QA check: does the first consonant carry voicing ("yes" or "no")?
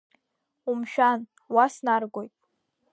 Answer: yes